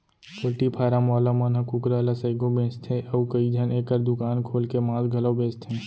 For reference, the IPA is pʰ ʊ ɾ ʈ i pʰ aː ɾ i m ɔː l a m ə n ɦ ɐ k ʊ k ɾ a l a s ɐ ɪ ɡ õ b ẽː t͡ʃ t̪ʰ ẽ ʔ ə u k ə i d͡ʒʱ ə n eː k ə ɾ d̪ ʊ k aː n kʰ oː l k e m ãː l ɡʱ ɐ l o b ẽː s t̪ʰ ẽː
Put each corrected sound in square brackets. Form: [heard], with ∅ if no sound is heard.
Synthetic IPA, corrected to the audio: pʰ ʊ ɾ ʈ i pʰ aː ɾ [a] m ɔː l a m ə n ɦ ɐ k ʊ k ɾ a l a s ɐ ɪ ɡ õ b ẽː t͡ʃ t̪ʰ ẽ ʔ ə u k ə i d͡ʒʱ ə n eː k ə ɾ d̪ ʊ k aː n kʰ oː l k e m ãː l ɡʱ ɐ l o b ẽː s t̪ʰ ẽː